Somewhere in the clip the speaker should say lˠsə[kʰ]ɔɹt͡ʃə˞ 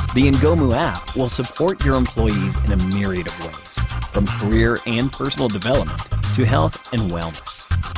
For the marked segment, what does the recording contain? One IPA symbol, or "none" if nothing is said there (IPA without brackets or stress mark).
pʰ